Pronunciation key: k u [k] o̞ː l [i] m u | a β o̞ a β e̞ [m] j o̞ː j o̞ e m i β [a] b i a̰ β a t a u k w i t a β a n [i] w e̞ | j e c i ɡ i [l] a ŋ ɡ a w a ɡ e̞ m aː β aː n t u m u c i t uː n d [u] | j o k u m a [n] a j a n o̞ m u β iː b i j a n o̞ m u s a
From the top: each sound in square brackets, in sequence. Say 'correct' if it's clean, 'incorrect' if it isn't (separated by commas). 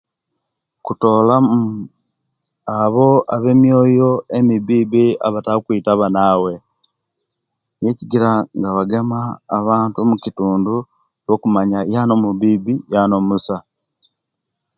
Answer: incorrect, incorrect, correct, incorrect, incorrect, incorrect, correct, incorrect